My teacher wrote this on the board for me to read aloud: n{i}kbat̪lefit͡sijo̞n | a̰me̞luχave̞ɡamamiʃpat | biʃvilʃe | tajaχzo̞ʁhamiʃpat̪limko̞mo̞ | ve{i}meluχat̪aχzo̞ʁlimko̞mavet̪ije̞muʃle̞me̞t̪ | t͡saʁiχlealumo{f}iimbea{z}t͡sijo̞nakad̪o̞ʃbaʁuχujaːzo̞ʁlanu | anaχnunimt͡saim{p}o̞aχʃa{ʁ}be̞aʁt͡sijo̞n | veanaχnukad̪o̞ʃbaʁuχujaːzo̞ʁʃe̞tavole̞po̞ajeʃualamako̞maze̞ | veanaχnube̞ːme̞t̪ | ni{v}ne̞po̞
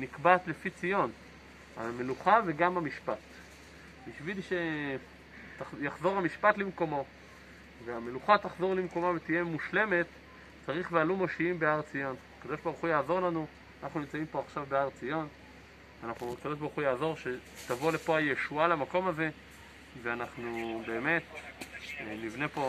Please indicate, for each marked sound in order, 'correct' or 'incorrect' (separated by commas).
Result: correct, incorrect, incorrect, incorrect, correct, incorrect, correct